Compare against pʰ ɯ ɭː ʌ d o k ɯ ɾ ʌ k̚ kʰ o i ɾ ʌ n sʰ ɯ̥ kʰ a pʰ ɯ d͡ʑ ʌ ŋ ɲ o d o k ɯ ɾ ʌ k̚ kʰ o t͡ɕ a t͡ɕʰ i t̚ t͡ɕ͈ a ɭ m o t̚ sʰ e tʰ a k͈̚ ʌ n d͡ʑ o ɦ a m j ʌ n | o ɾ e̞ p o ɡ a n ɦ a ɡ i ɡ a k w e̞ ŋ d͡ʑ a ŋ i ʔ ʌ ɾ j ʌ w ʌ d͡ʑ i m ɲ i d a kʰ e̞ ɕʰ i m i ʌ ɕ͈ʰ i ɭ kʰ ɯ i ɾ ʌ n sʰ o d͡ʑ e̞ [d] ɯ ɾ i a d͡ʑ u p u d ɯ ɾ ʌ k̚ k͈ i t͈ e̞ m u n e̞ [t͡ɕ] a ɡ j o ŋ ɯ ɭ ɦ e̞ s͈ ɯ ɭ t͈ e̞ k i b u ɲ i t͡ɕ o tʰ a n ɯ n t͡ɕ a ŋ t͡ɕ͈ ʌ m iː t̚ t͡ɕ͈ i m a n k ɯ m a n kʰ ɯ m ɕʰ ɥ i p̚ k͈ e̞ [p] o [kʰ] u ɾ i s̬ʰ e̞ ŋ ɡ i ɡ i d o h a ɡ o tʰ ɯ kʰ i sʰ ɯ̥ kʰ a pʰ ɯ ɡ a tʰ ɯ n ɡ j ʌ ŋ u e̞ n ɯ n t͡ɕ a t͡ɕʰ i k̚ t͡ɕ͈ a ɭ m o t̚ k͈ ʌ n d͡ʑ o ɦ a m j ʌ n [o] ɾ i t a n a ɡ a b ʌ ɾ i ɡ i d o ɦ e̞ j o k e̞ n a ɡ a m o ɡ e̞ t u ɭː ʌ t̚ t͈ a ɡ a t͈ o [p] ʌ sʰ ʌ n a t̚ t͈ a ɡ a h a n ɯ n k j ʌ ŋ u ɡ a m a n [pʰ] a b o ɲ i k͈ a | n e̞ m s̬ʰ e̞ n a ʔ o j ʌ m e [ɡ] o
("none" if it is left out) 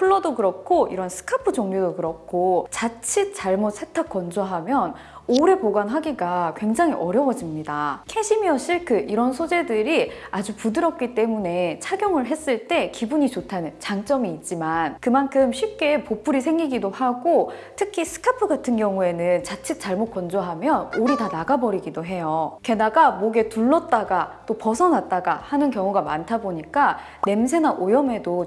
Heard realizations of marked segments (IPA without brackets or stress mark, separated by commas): d, t͡ɕʰ, p, pʰ, o, p, tʰ, d